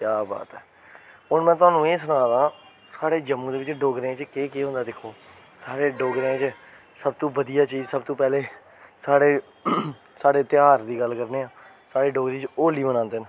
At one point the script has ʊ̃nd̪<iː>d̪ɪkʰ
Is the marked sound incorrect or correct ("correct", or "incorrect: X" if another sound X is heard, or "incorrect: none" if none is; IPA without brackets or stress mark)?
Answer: incorrect: aː